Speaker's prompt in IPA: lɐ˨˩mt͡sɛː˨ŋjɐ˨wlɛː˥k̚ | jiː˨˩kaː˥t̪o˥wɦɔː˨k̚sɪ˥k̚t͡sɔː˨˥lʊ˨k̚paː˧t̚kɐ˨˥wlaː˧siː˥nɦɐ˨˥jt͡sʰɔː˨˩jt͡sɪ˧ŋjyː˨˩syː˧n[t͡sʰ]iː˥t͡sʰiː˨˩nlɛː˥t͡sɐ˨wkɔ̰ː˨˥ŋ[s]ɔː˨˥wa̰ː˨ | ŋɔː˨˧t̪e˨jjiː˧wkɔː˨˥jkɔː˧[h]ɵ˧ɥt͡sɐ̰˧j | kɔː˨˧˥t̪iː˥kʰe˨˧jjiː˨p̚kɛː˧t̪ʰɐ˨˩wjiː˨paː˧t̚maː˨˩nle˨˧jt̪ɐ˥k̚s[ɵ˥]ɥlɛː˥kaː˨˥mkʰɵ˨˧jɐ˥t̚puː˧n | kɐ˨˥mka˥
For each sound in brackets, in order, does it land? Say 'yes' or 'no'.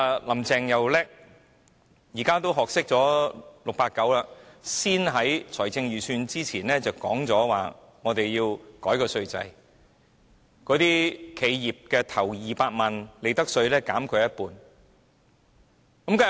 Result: no, no, no, no

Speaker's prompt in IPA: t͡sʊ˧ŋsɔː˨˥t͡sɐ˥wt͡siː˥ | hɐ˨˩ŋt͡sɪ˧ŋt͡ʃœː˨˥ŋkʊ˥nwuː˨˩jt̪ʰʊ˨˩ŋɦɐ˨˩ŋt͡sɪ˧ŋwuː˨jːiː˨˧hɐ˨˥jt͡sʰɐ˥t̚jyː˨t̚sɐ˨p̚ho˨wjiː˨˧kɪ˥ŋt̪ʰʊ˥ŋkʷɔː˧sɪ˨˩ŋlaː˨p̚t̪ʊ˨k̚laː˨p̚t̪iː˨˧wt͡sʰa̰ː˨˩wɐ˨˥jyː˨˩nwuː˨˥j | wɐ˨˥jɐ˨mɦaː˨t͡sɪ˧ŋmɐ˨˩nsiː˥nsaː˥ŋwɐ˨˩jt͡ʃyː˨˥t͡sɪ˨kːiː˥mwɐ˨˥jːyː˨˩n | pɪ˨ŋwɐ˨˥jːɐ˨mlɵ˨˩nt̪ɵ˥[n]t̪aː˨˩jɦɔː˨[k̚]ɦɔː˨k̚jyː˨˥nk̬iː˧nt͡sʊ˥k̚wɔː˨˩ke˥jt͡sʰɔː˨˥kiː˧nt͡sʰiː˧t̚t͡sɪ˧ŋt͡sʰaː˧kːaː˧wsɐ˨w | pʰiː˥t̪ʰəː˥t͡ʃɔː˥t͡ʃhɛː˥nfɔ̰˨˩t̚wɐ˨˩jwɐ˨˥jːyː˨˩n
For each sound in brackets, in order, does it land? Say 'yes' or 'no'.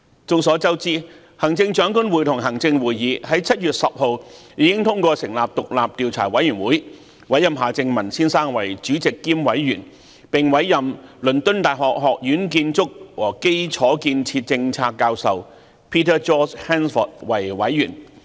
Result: yes, yes

